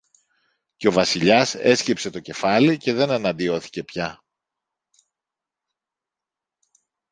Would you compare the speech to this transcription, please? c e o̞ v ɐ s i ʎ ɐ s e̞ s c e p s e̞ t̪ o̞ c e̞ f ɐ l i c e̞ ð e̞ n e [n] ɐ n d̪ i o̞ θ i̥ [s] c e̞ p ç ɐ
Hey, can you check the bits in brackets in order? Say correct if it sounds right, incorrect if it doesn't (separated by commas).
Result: correct, incorrect